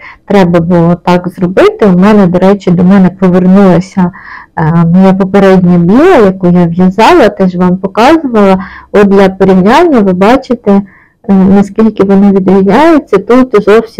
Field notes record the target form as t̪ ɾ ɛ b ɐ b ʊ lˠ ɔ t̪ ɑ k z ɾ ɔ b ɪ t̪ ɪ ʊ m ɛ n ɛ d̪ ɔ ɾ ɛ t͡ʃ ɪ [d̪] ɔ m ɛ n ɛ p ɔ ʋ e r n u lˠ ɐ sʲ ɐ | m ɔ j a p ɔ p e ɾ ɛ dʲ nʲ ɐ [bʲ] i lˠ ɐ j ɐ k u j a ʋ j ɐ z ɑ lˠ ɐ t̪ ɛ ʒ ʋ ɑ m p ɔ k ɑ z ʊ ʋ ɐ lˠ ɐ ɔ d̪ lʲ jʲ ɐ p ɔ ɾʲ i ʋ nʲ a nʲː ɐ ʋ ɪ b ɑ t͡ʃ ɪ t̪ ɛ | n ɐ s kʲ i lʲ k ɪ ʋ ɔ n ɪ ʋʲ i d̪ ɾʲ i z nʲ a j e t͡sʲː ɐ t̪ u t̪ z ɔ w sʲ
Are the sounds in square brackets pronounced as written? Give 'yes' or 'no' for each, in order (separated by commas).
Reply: yes, yes